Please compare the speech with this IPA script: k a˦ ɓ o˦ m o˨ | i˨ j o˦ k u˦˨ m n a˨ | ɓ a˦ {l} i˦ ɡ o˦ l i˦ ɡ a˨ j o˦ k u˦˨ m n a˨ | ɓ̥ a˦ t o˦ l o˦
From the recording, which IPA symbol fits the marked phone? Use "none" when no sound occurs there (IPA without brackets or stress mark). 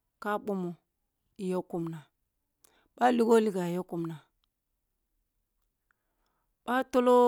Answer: l